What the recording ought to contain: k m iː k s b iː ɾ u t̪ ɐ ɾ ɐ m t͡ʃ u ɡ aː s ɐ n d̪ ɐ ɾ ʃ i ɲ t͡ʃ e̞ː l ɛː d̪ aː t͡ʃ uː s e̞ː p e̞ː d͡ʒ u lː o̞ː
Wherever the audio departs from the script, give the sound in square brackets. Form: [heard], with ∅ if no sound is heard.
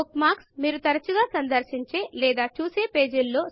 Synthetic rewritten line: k m [aː] k s [m] iː ɾ u t̪ ɐ ɾ ɐ [∅] t͡ʃ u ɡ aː s ɐ n d̪ ɐ ɾ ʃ i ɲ t͡ʃ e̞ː l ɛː d̪ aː t͡ʃ uː s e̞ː p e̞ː d͡ʒ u lː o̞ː

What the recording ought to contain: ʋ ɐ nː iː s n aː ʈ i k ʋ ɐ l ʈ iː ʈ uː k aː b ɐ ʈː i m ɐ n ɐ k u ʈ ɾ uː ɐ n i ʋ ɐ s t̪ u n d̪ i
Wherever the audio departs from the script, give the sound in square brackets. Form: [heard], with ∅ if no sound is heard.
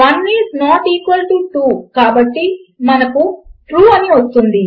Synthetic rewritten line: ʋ ɐ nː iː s n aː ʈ [iː] k ʋ ɐ l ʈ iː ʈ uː k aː b ɐ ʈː i m ɐ n ɐ k u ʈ ɾ uː ɐ n i ʋ ɐ s t̪ u n d̪ i

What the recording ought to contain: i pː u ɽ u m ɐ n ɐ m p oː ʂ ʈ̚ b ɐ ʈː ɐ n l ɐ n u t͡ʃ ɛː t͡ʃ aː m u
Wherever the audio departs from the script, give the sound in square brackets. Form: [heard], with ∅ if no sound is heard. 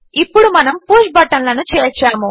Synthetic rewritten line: i pː u ɽ u m ɐ n ɐ m p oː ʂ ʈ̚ b ɐ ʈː ɐ n l ɐ n u t͡ʃ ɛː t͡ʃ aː m u

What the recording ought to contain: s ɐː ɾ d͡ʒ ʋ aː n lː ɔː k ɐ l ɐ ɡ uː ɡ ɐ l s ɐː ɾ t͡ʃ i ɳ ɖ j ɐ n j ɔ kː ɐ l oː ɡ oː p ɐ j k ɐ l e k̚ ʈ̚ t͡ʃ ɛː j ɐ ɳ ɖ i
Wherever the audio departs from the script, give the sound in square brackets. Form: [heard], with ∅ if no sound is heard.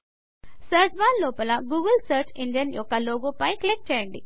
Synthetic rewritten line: s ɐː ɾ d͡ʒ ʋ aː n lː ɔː [p] ɐ l ɐ ɡ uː ɡ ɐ l s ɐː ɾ t͡ʃ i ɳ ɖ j ɐ n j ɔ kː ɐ l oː ɡ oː p ɐ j k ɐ l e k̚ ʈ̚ t͡ʃ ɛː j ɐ ɳ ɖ i

